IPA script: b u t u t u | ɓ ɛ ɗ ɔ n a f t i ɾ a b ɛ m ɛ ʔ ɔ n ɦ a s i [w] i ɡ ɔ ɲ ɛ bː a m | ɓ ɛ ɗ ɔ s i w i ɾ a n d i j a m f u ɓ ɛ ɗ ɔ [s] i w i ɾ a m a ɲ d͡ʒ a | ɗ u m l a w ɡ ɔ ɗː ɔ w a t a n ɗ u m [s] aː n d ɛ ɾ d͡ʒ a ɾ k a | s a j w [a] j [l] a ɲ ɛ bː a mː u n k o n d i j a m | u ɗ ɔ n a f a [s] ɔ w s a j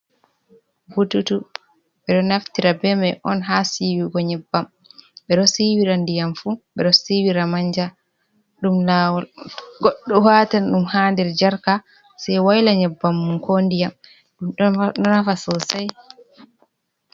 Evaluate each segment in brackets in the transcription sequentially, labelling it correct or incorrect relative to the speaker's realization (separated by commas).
correct, correct, incorrect, correct, correct, correct